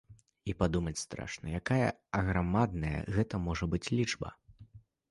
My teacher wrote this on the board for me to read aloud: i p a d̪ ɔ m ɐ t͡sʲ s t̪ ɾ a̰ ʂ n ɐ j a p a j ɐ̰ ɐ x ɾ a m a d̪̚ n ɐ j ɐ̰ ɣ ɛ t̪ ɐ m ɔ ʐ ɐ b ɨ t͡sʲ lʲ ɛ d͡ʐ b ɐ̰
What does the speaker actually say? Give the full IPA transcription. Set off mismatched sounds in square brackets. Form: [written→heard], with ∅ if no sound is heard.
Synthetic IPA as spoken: i p a d̪ [ɔ→u] m ɐ t͡sʲ s t̪ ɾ a̰ ʂ n ɐ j a [p→k] a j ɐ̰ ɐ [x→ɣ] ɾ a m a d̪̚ n ɐ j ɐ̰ ɣ ɛ t̪ ɐ m ɔ ʐ ɐ b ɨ t͡sʲ lʲ [ɛ→i] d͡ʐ b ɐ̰